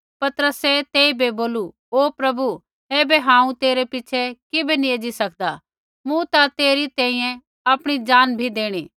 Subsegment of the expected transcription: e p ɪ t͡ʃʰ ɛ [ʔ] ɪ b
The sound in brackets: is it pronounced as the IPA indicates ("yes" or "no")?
no